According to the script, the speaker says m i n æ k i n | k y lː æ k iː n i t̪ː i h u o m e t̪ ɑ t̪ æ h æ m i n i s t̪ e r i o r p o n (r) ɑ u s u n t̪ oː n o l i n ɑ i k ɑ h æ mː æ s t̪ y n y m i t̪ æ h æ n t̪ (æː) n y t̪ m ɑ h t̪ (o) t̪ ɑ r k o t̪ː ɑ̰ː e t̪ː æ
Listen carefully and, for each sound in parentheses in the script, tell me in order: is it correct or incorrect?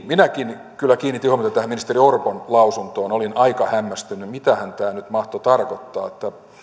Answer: incorrect, correct, correct

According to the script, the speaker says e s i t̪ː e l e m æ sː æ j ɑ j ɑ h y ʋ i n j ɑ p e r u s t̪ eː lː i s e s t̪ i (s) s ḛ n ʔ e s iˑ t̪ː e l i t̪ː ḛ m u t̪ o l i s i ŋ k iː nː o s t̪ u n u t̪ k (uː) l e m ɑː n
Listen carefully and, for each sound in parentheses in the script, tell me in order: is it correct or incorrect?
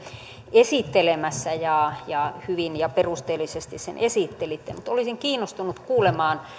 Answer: correct, correct

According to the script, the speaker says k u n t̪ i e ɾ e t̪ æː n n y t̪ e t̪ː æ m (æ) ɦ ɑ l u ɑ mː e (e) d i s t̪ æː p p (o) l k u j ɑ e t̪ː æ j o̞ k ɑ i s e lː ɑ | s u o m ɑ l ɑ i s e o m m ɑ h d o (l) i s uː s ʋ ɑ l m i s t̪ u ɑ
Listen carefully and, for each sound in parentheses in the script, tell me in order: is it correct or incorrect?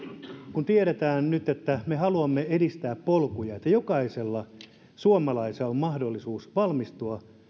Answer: incorrect, correct, correct, incorrect

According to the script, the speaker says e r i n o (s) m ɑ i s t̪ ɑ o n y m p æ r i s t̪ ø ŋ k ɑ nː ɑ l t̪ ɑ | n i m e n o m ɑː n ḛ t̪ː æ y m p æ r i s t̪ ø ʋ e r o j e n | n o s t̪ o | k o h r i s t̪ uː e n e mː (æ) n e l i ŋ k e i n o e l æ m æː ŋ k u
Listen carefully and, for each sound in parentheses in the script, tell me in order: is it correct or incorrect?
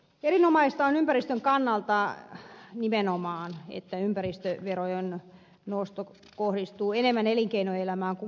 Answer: incorrect, correct

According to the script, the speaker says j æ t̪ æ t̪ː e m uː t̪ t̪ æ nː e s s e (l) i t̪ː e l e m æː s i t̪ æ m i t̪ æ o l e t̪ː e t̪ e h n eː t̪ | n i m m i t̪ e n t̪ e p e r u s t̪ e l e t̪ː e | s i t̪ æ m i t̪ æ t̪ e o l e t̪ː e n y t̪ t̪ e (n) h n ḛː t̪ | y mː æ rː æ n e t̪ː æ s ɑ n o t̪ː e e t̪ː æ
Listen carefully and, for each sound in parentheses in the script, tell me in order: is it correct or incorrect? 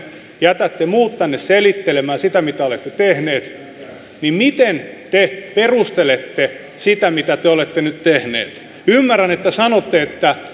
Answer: correct, incorrect

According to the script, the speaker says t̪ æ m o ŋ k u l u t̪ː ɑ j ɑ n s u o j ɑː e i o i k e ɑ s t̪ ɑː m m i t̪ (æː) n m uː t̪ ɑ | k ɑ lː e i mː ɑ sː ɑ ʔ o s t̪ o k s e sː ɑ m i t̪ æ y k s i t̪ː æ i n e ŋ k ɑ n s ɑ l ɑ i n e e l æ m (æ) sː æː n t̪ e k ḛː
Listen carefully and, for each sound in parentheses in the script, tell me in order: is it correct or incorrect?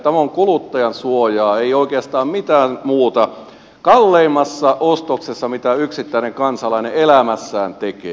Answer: correct, correct

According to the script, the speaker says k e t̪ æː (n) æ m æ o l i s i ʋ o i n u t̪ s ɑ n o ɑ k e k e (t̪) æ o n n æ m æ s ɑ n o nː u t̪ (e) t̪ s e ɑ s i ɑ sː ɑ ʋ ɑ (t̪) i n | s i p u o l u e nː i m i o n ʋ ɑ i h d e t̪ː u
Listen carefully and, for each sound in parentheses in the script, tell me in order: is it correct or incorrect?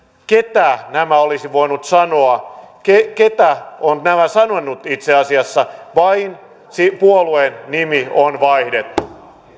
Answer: correct, correct, incorrect, incorrect

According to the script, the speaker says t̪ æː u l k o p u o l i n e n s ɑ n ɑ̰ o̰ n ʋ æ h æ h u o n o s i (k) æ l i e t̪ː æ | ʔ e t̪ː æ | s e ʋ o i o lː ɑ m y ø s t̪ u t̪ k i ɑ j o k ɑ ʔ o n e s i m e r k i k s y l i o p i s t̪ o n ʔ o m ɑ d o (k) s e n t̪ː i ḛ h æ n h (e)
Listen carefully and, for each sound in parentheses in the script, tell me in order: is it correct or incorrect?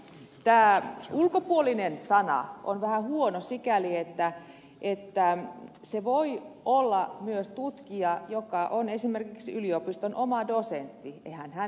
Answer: correct, incorrect, incorrect

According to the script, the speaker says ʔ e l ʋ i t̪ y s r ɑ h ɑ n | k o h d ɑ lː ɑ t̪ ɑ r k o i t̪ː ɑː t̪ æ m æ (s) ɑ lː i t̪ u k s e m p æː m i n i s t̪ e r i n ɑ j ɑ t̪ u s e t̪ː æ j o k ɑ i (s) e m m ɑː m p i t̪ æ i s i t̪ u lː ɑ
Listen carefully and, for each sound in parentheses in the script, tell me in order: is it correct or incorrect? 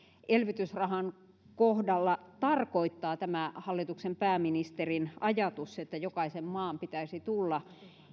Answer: incorrect, correct

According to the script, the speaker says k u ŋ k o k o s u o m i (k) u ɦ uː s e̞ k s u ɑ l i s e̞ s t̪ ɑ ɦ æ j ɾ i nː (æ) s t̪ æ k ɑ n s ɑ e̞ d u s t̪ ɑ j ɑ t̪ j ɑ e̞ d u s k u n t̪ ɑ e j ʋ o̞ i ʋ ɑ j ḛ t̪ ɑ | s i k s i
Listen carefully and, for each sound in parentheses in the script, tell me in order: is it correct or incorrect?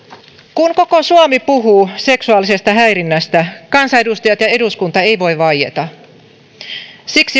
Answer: incorrect, correct

